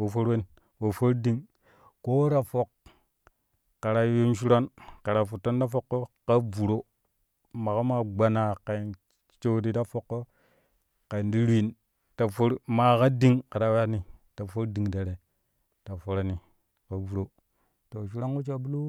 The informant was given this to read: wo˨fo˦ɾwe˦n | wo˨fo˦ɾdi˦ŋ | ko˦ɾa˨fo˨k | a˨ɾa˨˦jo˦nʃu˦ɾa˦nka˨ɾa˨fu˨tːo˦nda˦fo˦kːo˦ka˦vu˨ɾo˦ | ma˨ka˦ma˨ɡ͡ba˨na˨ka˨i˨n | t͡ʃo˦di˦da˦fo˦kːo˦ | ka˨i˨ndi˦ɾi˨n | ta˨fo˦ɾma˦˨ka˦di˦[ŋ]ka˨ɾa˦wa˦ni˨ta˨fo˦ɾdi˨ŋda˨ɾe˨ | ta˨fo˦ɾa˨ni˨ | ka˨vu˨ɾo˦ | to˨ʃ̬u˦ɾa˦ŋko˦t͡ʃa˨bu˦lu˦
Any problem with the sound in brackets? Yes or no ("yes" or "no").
no